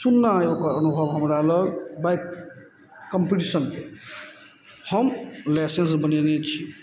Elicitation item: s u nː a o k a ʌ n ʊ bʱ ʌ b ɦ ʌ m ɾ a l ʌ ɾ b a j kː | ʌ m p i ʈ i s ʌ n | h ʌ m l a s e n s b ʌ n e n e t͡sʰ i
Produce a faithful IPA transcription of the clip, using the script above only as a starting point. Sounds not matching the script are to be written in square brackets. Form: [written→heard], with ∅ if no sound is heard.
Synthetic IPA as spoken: s u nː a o k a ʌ n [ʊ→u] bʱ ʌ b ɦ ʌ m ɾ a l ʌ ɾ b a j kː | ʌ m p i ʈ i s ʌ n | h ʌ m l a s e n s b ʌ n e n e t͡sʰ i

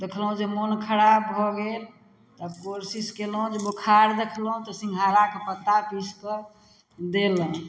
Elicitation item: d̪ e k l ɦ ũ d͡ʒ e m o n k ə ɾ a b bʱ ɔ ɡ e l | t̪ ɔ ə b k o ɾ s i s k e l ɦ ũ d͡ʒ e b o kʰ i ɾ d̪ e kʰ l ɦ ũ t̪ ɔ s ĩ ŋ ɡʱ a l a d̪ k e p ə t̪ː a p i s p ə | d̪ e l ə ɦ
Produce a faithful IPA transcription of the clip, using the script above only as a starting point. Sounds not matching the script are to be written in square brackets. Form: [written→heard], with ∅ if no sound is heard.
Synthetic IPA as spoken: d̪ e [k→kʰ] l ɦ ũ d͡ʒ e m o n [k→kʰ] ə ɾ a b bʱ ɔ ɡ e l | t̪ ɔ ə b k o ɾ s i s k e l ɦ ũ d͡ʒ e b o kʰ [i→a] ɾ d̪ e kʰ l ɦ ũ t̪ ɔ s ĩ ŋ ɡʱ a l a [d̪→∅] k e p ə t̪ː a p i s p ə | d̪ e l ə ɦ

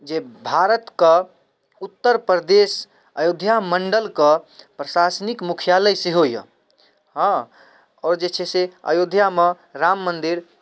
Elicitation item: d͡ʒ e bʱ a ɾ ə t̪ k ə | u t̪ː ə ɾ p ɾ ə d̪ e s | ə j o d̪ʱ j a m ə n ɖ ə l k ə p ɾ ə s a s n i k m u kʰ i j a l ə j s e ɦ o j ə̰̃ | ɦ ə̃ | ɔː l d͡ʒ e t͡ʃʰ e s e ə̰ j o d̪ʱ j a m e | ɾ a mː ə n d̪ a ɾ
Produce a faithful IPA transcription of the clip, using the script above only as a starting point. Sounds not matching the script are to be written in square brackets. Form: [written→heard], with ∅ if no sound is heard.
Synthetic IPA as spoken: d͡ʒ e bʱ a ɾ ə t̪ k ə | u t̪ː ə ɾ p ɾ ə d̪ e s | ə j o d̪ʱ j a m ə [n→ɳ] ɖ ə l k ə p ɾ ə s a s n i k m u kʰ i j a l ə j s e ɦ o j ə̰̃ | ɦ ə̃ | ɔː [l→ɾ] d͡ʒ e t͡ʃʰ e s e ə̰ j o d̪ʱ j a m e | ɾ a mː ə n d̪ [a→i] ɾ

